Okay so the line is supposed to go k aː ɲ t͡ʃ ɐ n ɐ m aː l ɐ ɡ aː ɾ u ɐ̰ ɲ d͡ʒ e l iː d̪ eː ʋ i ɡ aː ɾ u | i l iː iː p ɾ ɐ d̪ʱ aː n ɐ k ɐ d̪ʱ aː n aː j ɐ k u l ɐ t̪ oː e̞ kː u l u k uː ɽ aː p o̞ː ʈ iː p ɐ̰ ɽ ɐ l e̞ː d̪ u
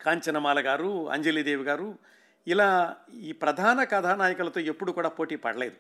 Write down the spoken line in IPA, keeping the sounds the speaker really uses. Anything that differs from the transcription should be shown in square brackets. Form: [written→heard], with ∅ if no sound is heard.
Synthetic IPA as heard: k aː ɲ t͡ʃ ɐ n ɐ m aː l ɐ ɡ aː ɾ u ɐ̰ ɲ d͡ʒ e l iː d̪ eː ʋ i ɡ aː ɾ u | i l [iː→aː] iː p ɾ ɐ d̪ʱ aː n ɐ k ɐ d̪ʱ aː n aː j ɐ k u l ɐ t̪ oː e̞ [kː→pː] u [l→ɽ] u k uː ɽ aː p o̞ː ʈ iː p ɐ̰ ɽ ɐ l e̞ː d̪ u